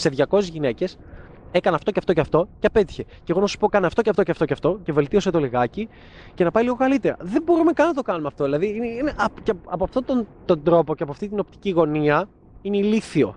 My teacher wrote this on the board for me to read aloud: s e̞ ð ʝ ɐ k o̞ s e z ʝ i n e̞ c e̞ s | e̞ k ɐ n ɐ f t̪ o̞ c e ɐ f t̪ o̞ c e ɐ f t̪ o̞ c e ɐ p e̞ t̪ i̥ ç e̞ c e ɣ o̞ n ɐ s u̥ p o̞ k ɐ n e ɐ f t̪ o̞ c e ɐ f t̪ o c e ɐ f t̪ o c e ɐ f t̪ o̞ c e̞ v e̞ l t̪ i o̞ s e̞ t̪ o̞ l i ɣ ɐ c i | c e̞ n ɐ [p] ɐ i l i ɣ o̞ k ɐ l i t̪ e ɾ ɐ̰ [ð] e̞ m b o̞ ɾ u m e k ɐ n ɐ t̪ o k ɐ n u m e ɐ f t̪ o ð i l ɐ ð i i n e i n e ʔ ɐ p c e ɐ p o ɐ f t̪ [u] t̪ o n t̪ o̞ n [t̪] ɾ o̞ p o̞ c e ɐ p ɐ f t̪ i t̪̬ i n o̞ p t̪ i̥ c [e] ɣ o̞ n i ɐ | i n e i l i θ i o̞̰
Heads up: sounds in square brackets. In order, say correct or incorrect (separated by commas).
correct, correct, incorrect, incorrect, incorrect